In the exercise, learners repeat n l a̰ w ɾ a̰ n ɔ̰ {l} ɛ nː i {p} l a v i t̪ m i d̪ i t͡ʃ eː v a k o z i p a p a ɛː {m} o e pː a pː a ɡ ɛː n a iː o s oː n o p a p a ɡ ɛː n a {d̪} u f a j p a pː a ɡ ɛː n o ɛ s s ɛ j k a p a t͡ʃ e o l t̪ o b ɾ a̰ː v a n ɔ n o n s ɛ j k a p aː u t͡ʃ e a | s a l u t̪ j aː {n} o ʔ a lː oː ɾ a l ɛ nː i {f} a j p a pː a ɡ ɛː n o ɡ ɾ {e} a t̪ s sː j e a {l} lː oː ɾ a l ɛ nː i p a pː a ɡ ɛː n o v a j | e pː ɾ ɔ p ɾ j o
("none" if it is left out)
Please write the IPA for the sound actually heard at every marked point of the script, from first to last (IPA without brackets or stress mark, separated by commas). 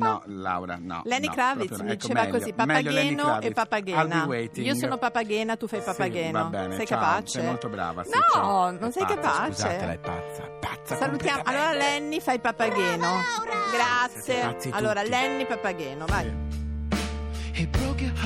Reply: l, k, n, t̪, m, f, a, l